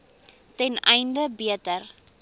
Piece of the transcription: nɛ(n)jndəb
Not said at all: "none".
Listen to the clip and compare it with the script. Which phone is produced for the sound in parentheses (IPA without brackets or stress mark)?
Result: none